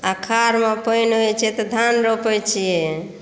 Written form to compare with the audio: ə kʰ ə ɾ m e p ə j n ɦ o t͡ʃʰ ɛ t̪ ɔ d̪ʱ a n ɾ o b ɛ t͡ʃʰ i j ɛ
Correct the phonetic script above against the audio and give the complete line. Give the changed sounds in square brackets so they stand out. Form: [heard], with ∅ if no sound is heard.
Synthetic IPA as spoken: [a] kʰ [a] ɾ m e p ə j n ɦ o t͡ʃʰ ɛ t̪ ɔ d̪ʱ a n ɾ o [p] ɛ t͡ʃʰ i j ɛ